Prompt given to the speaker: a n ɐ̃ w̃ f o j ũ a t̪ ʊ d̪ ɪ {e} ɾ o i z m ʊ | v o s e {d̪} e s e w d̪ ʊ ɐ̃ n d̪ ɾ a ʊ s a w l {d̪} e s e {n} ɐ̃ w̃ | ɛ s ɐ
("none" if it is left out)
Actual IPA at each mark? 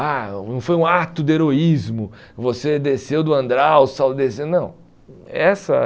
e, d̪, d̪, n

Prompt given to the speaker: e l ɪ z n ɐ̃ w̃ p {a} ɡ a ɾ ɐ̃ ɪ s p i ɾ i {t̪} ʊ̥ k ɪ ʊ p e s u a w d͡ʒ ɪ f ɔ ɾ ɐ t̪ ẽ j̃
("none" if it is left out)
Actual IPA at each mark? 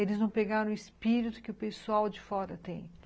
e, t̪

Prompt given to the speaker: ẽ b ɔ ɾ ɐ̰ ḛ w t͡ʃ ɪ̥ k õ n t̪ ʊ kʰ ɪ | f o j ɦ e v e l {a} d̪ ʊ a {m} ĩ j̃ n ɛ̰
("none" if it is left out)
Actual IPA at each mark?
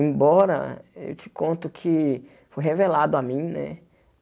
a, m

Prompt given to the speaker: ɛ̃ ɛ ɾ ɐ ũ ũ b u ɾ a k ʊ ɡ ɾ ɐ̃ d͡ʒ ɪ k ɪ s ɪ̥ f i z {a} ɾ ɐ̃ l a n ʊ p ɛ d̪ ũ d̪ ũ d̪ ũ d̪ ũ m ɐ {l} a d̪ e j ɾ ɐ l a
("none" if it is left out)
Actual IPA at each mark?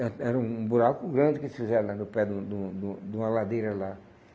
ɛ, l

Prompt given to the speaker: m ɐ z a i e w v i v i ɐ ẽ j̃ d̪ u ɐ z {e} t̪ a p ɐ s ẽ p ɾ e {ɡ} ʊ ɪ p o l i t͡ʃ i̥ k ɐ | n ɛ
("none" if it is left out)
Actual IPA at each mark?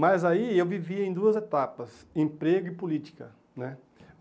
e, ɡ

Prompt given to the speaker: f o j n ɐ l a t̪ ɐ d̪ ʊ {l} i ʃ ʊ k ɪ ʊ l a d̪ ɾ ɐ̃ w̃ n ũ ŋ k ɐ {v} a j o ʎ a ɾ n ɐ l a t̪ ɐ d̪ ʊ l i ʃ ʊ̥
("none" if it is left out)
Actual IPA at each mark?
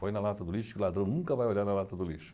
l, v

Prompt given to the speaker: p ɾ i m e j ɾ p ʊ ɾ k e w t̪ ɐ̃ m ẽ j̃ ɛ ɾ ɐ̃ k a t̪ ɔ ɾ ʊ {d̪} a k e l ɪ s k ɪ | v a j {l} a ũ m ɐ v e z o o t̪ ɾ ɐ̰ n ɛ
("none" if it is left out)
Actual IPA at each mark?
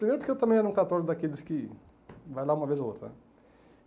d̪, l

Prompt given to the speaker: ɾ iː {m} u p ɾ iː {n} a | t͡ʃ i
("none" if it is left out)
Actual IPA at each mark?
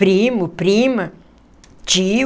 m, m

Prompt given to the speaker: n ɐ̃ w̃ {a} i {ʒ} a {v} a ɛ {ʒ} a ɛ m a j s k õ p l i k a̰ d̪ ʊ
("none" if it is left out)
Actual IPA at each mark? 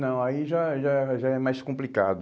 a, ʒ, ʒ, ʒ

